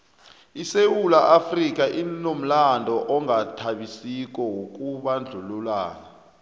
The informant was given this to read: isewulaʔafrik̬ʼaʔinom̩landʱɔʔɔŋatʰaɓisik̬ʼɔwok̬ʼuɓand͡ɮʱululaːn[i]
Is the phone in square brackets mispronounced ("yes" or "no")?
yes